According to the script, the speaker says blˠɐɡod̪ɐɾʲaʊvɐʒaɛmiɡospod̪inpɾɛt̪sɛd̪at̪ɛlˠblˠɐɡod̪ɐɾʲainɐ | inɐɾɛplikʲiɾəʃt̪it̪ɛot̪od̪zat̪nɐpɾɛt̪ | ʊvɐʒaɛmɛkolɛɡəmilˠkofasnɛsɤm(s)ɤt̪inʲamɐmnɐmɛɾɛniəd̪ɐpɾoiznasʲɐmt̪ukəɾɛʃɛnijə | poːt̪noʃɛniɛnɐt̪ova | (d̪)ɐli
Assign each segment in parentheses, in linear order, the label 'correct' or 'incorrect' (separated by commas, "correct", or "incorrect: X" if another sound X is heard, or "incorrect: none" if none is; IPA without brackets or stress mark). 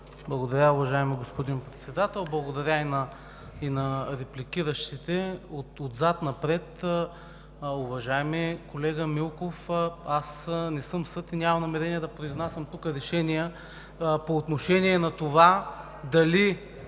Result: correct, correct